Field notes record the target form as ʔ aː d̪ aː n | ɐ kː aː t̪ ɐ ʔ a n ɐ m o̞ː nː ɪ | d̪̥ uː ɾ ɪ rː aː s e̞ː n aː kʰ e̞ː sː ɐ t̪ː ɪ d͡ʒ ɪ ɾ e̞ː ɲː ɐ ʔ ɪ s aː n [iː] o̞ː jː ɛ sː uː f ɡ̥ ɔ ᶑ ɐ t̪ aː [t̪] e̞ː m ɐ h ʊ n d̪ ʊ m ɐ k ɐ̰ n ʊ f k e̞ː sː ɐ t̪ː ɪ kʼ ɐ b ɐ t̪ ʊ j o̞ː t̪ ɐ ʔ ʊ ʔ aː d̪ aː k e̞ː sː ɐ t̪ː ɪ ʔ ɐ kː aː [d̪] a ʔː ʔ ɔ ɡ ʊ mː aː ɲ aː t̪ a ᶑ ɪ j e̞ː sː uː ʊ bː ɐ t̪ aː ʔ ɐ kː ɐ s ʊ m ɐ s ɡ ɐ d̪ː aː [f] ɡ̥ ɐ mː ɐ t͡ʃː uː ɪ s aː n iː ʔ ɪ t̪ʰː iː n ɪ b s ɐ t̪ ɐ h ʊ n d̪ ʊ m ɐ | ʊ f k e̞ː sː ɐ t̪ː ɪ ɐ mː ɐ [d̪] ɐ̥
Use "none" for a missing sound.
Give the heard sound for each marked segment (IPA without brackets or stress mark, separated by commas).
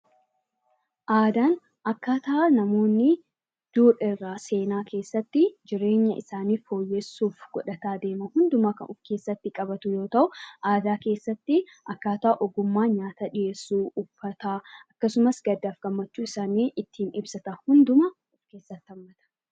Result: iː, d̪, t̪, f, t̪